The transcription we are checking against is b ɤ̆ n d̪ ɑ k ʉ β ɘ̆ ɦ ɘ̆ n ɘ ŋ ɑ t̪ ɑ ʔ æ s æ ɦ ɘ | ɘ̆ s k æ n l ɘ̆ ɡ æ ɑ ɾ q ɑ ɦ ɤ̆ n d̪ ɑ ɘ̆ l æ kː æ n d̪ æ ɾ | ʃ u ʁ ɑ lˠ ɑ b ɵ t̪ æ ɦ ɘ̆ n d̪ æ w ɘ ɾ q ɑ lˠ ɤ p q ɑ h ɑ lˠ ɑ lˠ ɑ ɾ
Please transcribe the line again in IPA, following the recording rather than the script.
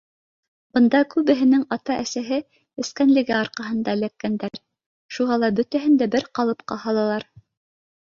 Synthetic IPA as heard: b ɤ̆ n d̪ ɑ k ʉ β ɘ̆ ɦ ɘ̆ n ɘ ŋ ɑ t̪ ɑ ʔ æ s æ ɦ ɘ | ɘ̆ s k æ n l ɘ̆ ɡ æ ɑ ɾ q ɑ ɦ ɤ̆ n d̪ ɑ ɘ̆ l æ kː æ n d̪ æ ɾ | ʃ u ʁ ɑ lˠ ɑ b ɵ t̪ æ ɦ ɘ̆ n d̪ æ b ɘ ɾ q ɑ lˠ ɤ p q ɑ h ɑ lˠ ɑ lˠ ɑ ɾ

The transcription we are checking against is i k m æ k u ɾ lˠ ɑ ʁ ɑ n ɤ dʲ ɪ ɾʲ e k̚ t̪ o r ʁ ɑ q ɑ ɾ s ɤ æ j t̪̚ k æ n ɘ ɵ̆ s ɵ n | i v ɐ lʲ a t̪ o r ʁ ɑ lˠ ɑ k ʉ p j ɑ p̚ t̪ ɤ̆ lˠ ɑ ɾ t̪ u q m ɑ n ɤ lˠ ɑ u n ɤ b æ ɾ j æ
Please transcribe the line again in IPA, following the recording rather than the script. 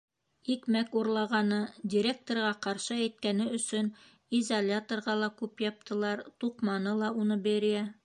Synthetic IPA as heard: i k m æ k u ɾ lˠ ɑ ʁ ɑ n ɤ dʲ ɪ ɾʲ e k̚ t̪ o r ʁ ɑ q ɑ ɾ ʃ ɤ æ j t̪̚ k æ n ɘ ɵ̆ s ɵ n | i z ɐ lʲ a t̪ o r ʁ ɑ lˠ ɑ k ʉ p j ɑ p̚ t̪ ɤ̆ lˠ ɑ ɾ t̪ u q m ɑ n ɤ lˠ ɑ u n ɤ b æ ɾ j æ

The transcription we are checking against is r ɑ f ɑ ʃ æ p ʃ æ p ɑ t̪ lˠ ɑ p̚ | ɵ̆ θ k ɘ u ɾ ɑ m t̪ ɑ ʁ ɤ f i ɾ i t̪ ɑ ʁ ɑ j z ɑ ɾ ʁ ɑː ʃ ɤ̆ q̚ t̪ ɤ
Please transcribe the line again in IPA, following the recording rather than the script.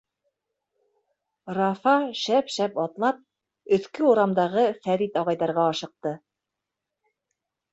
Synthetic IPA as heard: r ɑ f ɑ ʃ æ p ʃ æ p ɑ t̪ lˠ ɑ p̚ | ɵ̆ θ k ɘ u ɾ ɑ m d̪ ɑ ʁ ɤ f æ ɾ i t̪ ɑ ʁ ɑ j ð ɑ ɾ ʁ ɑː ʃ ɤ̆ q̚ t̪ ɤ

